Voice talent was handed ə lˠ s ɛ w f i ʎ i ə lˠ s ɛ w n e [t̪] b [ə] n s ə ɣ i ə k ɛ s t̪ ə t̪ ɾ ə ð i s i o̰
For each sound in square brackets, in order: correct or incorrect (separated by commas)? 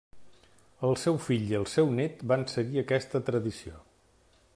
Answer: correct, incorrect